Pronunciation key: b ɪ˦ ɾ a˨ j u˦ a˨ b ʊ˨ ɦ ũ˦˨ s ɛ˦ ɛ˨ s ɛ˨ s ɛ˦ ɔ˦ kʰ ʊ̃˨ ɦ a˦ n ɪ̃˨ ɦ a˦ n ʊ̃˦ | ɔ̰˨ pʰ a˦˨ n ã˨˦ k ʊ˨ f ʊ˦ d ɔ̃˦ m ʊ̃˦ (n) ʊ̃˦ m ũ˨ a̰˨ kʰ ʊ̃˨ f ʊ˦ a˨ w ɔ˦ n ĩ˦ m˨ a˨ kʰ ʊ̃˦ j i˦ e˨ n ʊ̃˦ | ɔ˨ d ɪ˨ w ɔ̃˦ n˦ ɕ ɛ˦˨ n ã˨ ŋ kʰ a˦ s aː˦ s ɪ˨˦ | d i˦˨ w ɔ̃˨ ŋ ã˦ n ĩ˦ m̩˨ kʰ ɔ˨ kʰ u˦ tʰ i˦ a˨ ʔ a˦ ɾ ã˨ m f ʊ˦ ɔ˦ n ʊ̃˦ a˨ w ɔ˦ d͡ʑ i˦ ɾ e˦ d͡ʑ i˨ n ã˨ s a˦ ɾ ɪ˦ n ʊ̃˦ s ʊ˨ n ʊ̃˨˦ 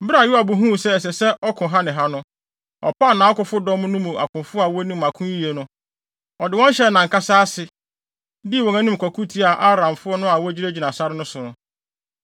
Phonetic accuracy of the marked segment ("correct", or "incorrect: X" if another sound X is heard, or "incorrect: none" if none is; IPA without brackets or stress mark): correct